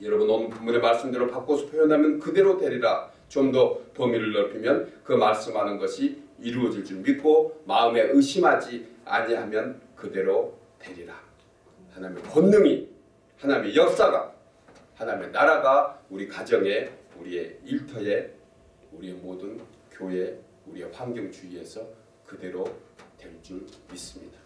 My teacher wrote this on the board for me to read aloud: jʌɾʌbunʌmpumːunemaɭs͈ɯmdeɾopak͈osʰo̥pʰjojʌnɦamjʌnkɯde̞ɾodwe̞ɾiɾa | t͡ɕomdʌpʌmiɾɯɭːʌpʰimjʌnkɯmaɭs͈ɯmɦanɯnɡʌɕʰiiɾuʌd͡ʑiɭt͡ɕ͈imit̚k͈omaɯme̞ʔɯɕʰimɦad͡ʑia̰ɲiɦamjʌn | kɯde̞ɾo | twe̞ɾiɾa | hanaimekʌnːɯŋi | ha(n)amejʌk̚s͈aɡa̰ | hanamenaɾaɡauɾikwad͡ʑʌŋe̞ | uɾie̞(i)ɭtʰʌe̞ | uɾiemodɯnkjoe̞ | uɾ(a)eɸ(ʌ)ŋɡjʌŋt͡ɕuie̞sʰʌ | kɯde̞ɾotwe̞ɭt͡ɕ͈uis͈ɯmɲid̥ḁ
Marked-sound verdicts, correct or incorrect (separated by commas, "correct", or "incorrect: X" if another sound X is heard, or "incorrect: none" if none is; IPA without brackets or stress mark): correct, correct, incorrect: i, incorrect: a